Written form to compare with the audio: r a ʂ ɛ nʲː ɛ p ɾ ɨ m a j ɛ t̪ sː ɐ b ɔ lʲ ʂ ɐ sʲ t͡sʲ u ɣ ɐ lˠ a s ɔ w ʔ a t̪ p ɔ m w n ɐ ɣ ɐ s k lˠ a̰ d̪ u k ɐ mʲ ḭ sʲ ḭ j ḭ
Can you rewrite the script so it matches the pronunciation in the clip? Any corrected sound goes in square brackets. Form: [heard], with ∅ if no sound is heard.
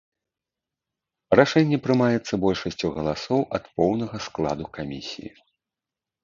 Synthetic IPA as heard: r a ʂ ɛ nʲː ɛ p ɾ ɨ m a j ɛ t̪ sː ɐ b ɔ lʲ ʂ ɐ sʲ t͡sʲ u ɣ ɐ lˠ a s ɔ w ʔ [ɐ] t̪ p ɔ [∅] w n ɐ ɣ ɐ s k lˠ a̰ d̪ u k [a] mʲ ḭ sʲ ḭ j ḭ